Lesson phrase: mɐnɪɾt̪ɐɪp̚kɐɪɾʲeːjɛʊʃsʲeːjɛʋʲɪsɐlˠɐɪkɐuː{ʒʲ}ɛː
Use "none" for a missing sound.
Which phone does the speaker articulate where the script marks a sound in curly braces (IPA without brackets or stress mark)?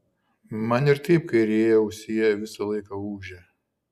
ʒʲ